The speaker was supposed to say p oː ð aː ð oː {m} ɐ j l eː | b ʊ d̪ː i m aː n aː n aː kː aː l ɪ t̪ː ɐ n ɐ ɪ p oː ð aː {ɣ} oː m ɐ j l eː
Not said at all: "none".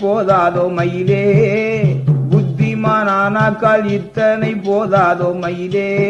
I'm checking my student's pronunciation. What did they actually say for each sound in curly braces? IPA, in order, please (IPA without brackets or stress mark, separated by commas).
m, ð